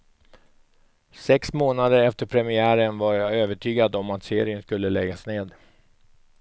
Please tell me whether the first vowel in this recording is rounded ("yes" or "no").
no